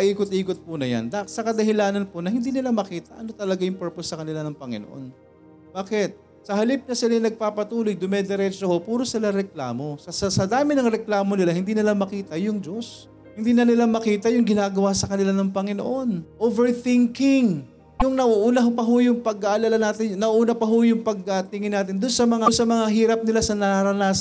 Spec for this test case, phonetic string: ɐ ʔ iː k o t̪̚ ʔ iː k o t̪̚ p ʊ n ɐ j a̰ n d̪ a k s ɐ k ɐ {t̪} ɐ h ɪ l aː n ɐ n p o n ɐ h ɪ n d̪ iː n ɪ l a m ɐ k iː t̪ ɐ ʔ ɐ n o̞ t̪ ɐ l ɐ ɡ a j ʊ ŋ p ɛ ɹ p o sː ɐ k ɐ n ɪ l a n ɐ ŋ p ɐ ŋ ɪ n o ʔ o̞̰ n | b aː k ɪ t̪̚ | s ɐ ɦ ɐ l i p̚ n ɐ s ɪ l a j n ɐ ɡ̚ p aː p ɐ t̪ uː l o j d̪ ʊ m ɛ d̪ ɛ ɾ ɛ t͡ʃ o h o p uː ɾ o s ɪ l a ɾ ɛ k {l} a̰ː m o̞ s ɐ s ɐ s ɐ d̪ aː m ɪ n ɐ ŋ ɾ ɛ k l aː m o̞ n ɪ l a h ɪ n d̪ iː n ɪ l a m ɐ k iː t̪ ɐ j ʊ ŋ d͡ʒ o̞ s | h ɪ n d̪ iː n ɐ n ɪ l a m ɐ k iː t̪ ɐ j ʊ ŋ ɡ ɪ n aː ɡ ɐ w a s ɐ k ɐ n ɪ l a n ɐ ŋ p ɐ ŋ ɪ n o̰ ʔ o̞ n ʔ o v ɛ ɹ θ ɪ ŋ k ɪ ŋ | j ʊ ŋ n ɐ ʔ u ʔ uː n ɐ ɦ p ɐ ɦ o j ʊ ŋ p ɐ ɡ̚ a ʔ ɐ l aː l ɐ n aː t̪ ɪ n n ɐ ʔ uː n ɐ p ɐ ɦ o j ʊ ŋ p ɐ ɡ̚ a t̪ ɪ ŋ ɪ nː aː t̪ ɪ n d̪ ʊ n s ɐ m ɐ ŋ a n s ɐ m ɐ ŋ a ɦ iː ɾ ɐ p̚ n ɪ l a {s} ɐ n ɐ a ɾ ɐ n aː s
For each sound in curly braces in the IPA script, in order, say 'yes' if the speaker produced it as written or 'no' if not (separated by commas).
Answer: no, yes, yes